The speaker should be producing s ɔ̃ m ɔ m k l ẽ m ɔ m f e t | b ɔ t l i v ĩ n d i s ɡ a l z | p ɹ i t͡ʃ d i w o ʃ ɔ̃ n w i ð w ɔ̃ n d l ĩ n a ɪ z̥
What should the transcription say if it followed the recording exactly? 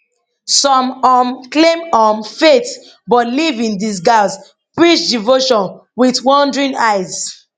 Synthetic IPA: s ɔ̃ m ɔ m k l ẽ m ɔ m f e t | b ɔ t l i v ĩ n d i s ɡ a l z | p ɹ i t͡ʃ d i v o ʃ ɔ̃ n w i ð w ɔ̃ n d ɹ ĩ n a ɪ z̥